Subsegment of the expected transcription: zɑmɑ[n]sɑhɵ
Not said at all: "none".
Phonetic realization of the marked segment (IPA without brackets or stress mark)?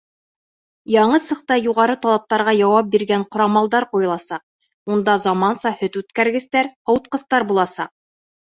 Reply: n